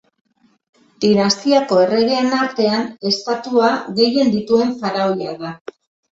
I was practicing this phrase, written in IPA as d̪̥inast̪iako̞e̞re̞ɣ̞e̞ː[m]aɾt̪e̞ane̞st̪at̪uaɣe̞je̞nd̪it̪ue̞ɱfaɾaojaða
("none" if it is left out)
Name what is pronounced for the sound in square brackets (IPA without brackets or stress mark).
n